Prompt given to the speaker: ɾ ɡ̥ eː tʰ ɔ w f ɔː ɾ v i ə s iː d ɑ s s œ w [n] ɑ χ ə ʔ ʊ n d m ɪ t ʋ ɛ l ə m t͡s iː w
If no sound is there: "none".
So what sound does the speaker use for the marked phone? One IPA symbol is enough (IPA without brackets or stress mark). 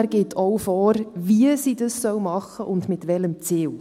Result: m